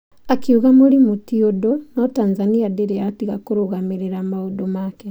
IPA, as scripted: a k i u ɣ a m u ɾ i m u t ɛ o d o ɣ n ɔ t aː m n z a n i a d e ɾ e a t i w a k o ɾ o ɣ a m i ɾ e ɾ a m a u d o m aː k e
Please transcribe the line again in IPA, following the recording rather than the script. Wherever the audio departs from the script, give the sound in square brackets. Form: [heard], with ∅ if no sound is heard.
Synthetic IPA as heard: a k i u ɣ a m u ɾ i m u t [i] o d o [∅] n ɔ t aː [∅] n z a n i a d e ɾ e a t i [ɣ] a k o ɾ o ɣ a m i ɾ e ɾ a m a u d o m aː k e